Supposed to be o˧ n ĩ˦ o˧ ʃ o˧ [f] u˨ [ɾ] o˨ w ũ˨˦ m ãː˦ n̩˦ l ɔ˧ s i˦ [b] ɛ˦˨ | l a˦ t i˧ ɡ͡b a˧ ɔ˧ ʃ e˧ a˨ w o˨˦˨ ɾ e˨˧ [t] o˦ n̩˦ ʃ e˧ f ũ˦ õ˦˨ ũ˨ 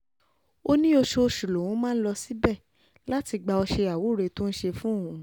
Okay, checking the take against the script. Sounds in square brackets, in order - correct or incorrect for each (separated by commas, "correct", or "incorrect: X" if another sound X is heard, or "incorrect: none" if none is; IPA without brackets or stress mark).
incorrect: ʃ, incorrect: l, correct, correct